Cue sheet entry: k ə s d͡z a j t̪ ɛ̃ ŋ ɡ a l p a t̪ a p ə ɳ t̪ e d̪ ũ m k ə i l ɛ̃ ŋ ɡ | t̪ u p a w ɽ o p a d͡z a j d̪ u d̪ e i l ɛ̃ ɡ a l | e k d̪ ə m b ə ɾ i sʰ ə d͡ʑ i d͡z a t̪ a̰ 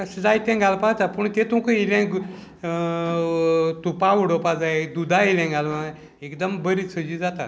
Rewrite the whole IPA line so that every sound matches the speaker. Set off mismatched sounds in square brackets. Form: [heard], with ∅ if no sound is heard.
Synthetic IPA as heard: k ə s d͡z a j t̪ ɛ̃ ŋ ɡ a l p a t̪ a p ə ɳ t̪ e [t̪] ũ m k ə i l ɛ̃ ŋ ɡ | t̪ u p a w ɽ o p a d͡z a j d̪ u d̪ [a] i l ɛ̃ ɡ a l | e k d̪ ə m b ə ɾ i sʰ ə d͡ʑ i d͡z a t̪ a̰

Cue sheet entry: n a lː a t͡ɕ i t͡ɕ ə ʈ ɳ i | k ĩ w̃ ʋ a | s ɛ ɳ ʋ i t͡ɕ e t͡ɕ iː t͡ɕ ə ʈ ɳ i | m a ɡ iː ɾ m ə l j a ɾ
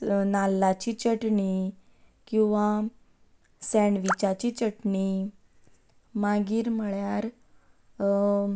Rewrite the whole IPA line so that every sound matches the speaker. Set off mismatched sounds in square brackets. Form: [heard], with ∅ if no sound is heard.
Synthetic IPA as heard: n a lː a t͡ɕ i t͡ɕ ə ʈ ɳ i | k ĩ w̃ ʋ a | s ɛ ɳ ʋ i t͡ɕ [a] t͡ɕ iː t͡ɕ ə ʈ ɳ i | m a ɡ iː ɾ m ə [ɭ] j a ɾ

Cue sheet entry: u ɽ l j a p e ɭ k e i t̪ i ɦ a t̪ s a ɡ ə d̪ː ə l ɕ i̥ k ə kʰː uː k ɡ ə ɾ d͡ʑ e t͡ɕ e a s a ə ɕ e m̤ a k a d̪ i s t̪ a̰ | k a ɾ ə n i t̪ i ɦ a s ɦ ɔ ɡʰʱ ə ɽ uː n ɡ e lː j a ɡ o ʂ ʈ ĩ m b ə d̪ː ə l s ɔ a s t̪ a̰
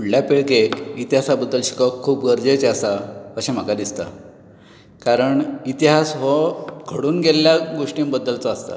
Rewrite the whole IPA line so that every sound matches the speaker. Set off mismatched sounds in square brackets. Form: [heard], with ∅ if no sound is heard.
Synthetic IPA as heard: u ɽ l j a p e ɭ k e i t̪ i ɦ a [∅] s a [b] ə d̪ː ə l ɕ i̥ k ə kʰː uː [p] ɡ ə ɾ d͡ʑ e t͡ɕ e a s a ə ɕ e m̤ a k a d̪ i s t̪ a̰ | k a ɾ ə [ɳ] i t̪ i ɦ a s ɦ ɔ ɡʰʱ ə ɽ uː n ɡ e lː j a ɡ o ʂ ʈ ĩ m b ə d̪ː ə l [t͡s] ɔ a s t̪ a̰

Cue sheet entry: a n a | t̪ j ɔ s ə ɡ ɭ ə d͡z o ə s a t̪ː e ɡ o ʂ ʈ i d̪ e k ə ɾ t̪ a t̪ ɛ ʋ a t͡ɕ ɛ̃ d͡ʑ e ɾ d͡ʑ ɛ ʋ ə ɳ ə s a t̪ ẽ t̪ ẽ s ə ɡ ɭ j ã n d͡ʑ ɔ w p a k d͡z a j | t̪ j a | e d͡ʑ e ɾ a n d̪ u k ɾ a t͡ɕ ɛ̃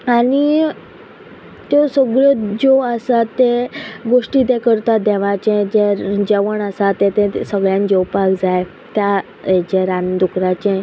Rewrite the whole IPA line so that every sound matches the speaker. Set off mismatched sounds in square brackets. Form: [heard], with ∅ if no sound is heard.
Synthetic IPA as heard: a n [i] | t̪ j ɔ s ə ɡ ɭ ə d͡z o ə s a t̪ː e ɡ o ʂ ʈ i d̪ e k ə ɾ t̪ a [d̪] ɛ ʋ a t͡ɕ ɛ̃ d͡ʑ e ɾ d͡ʑ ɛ ʋ ə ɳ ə s a t̪ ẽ t̪ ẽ s ə ɡ ɭ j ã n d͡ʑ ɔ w p a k d͡z a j | t̪ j a | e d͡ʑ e ɾ a n d̪ u k ɾ a t͡ɕ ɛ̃

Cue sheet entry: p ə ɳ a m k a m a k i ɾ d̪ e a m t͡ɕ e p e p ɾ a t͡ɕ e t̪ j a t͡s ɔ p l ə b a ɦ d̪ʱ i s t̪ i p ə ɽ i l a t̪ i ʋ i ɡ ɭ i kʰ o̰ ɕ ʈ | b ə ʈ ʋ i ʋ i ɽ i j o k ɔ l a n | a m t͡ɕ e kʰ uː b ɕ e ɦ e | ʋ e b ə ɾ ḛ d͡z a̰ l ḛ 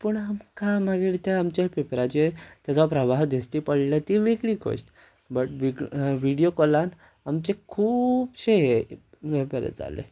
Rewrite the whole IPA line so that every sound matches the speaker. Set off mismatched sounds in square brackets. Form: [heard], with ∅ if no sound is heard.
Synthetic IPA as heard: p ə ɳ a m k a m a [ɡ] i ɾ [t̪] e a m t͡ɕ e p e p ɾ a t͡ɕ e t̪ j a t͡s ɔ p [ɾ] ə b a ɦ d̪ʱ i s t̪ i p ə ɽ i l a t̪ i ʋ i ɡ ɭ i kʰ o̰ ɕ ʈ | b ə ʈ ʋ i ʋ i ɽ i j o k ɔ l a n | a m t͡ɕ e kʰ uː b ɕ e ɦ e | ʋ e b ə ɾ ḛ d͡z a̰ l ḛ

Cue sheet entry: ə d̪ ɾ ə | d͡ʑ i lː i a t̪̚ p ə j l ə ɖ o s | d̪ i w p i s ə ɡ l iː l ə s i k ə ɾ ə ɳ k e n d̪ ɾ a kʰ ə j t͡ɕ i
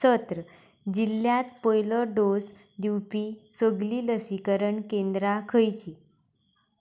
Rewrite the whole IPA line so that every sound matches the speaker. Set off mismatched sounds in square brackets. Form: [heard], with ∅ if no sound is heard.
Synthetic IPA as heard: ə [t̪] ɾ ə | d͡ʑ i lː [j] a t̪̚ p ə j l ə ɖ o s | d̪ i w p i s ə ɡ l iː l ə s i k ə ɾ ə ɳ k e n d̪ ɾ a kʰ ə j t͡ɕ i

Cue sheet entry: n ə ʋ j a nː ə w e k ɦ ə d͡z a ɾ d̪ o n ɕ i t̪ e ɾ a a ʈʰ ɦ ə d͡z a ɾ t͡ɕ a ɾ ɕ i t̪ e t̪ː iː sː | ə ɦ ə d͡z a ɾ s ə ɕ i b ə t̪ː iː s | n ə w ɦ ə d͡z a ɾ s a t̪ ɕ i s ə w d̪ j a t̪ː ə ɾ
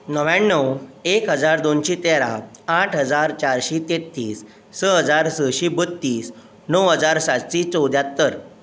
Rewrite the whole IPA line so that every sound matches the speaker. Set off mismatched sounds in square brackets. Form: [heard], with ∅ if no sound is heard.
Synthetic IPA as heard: n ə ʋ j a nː ə w e k ɦ ə d͡z a ɾ d̪ o n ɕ i t̪ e ɾ a a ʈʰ ɦ ə d͡z a ɾ t͡ɕ a ɾ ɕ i t̪ e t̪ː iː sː | ə ɦ ə d͡z a ɾ s ə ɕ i b ə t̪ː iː s | n ə w ɦ ə d͡z a ɾ s a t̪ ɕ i [t͡s] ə w d̪ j a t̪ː ə ɾ

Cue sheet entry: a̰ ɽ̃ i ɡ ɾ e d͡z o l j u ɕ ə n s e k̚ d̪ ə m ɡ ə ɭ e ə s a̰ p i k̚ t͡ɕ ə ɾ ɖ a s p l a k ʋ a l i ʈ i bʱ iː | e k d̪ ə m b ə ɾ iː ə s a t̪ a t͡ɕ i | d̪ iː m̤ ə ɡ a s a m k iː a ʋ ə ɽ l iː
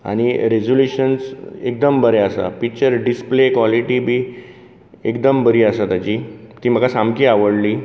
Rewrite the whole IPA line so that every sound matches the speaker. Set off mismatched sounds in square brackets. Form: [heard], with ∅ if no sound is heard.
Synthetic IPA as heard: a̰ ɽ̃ i [∅] ɾ e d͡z o l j u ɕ ə n s e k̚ d̪ ə m [b] ə [ɾ] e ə s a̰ p i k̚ t͡ɕ ə ɾ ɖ [i] s p l [e] k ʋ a l i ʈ i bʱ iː | e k d̪ ə m b ə ɾ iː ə s a t̪ a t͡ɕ i | [t̪] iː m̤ ə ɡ a s a m k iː a ʋ ə ɽ l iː

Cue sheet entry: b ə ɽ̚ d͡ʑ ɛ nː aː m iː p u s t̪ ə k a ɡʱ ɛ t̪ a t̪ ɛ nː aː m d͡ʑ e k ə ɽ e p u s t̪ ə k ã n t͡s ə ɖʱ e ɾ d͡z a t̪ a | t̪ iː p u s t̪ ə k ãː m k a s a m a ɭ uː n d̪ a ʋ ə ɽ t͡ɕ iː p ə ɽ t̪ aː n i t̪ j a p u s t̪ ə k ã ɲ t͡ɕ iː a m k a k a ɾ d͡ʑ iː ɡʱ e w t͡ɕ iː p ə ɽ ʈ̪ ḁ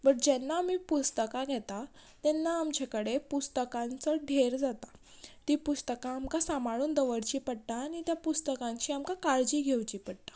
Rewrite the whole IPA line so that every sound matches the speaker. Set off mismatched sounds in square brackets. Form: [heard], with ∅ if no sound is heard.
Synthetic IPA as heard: b ə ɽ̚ d͡ʑ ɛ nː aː m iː p u s t̪ ə k a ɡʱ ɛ t̪ a t̪ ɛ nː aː m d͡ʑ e k ə ɽ e p u s t̪ ə k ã n t͡s ə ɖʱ e ɾ d͡z a t̪ a | t̪ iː p u s t̪ ə k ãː m k a s a m a ɭ uː n d̪ [ə] ʋ ə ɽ t͡ɕ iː p ə ɽ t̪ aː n i t̪ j a p u s t̪ ə k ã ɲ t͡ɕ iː a m k a k a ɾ d͡ʑ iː ɡʱ e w t͡ɕ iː p ə ɽ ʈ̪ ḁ

